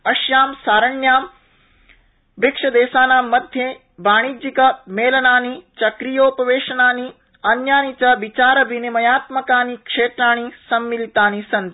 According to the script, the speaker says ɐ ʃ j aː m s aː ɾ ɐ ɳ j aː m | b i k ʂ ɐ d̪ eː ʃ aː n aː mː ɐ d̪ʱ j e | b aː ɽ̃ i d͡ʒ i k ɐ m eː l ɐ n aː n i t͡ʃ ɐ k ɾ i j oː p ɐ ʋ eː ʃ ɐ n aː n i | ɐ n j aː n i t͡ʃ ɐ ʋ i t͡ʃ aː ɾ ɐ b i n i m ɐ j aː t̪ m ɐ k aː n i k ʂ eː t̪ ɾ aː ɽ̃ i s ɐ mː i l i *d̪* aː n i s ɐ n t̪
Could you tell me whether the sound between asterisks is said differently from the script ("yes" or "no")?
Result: yes